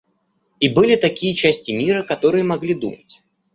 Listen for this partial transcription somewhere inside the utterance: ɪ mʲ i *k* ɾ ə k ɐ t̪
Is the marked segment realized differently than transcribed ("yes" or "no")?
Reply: yes